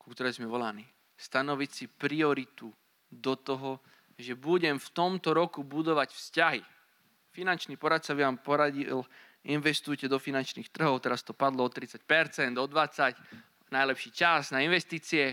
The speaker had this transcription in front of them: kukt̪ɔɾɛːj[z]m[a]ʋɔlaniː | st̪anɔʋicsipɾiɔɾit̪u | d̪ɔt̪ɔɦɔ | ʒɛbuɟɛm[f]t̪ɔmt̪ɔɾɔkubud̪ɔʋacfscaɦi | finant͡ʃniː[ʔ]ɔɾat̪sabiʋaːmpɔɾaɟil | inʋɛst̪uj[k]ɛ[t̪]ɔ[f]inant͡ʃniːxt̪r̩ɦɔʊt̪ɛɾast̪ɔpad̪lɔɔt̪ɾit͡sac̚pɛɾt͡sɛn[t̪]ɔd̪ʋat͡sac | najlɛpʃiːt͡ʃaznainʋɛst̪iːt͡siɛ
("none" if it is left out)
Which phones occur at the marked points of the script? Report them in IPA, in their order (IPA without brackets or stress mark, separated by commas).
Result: z, ɛ, f, p, c, d̪, f, d̪